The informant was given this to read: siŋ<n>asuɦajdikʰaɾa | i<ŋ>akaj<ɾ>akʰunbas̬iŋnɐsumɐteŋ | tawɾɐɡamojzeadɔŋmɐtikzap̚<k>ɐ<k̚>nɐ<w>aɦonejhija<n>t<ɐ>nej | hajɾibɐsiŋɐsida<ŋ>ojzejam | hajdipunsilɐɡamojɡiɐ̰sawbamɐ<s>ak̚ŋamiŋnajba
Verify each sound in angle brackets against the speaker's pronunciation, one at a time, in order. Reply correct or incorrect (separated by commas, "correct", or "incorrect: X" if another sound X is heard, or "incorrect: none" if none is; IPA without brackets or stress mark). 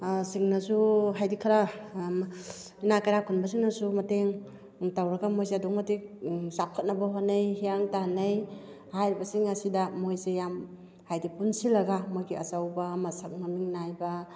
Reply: correct, incorrect: n, correct, incorrect: kʰ, incorrect: t̚, incorrect: b, incorrect: ŋ, incorrect: a, incorrect: m, correct